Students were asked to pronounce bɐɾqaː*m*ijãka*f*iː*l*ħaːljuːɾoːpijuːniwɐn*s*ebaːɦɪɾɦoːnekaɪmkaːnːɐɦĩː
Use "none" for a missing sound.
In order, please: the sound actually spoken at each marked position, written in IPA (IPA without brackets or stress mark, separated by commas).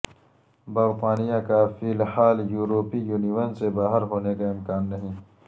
n, f, l, s